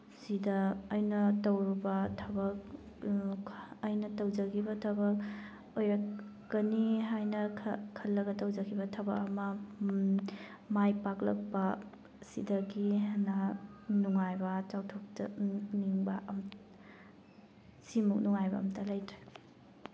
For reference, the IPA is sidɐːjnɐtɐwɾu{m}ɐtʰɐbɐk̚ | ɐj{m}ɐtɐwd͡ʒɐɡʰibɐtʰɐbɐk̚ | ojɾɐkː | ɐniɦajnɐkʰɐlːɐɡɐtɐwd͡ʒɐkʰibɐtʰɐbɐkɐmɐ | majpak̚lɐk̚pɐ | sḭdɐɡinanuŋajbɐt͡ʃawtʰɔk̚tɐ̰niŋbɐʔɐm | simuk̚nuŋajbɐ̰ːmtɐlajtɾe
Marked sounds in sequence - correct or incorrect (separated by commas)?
incorrect, incorrect